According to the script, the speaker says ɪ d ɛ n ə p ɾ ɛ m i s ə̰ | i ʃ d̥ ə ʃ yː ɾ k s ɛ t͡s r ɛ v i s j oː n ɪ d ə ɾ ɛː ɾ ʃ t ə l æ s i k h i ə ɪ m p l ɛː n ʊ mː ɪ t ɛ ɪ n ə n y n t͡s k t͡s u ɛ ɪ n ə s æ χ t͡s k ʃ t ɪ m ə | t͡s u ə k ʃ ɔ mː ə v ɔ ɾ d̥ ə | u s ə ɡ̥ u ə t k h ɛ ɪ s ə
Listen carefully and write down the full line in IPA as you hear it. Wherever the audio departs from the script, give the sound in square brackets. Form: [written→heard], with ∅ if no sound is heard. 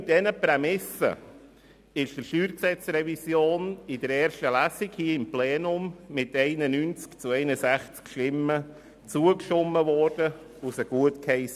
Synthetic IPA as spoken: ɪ d ɛ n ə p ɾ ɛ m [i→ɪ] s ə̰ | [i→ɪ] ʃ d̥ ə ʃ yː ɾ k s ɛ t͡s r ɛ v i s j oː n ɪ d ə ɾ ɛː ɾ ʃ t ə l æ s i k h i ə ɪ m p l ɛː n ʊ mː ɪ t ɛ ɪ n ə n y n t͡s k t͡s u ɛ ɪ n ə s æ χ t͡s k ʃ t ɪ m ə | t͡s u ə k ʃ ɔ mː ə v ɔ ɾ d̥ ə | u s ə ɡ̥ u ə t k h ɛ ɪ s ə